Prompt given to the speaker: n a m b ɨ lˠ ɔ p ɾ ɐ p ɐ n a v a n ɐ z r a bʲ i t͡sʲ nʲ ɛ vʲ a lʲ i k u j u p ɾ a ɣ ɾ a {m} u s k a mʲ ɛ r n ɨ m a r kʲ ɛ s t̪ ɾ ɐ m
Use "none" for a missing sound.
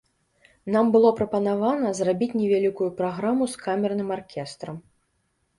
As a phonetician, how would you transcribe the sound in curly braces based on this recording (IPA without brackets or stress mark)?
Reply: m